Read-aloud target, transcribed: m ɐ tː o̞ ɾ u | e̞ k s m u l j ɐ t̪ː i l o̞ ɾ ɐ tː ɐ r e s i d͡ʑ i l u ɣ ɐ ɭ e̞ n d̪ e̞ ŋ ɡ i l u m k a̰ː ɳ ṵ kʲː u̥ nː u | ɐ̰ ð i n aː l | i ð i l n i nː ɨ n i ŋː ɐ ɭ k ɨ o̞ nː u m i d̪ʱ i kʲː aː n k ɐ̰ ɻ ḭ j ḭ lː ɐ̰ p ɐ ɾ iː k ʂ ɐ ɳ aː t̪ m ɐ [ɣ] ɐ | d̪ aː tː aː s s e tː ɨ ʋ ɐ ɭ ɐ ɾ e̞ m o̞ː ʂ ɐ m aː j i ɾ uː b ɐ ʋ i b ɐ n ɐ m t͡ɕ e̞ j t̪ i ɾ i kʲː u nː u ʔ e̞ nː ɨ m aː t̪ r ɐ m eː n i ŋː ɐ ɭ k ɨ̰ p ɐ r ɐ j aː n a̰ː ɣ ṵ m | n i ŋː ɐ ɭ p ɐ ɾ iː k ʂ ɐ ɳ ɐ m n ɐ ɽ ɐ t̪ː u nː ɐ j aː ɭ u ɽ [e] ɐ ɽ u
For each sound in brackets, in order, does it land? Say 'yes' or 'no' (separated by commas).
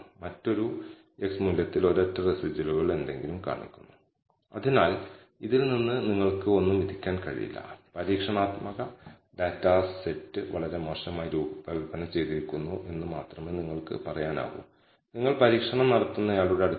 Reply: yes, yes